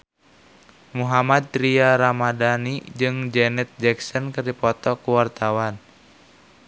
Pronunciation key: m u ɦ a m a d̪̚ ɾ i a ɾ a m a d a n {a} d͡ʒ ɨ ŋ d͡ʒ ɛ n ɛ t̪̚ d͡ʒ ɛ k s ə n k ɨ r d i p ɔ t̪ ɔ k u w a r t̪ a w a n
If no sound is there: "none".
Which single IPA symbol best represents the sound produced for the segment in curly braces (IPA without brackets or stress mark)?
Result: i